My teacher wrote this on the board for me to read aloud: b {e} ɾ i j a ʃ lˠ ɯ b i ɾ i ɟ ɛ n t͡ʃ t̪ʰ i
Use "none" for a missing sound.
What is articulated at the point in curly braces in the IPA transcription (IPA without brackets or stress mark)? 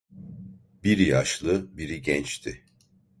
i